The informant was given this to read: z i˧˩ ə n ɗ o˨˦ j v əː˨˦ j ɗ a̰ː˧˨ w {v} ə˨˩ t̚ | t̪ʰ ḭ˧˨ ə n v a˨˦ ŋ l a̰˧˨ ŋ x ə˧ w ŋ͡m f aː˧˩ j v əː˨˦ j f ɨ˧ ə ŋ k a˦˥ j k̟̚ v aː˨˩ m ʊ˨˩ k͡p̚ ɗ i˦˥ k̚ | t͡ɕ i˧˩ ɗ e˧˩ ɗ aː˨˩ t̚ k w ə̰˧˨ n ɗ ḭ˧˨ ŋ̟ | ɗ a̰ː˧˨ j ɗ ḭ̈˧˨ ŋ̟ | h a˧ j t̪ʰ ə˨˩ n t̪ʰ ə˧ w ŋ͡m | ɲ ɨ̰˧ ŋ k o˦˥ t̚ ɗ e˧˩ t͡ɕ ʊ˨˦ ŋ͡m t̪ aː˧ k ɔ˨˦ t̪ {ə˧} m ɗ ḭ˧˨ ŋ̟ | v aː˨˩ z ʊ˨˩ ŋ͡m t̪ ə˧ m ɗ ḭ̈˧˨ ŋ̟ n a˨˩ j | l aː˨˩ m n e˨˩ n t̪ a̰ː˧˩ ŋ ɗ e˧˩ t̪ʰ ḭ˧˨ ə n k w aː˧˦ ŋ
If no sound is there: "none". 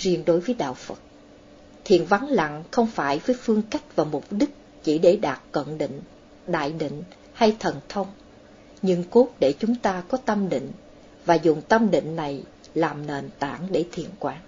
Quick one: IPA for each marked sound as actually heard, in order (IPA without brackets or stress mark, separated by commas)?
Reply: f, ə˧